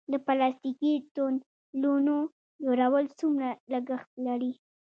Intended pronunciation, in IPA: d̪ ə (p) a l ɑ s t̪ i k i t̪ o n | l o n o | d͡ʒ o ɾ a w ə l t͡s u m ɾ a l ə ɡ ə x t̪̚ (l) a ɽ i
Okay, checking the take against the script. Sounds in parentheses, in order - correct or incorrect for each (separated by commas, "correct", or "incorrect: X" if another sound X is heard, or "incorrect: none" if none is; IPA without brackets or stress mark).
correct, correct